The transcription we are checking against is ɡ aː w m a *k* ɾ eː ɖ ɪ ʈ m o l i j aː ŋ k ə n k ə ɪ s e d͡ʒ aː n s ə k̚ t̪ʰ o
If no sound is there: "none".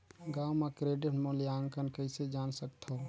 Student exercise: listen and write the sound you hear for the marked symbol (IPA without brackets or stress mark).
k